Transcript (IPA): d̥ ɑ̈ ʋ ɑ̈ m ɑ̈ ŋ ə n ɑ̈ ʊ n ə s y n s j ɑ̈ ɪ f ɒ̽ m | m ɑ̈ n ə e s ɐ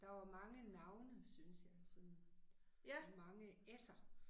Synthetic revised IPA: d̥ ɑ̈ ʋ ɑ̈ m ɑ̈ ŋ ə n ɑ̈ ʊ n ə s y n s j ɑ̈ ɪ s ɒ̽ n | m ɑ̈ ŋ ə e s ɐ